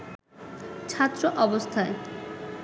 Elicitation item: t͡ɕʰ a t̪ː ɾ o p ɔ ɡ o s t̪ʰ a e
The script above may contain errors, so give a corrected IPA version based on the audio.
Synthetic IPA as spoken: t͡ɕʰ a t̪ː ɾ o ʔ ɔ b o s t̪ʰ a e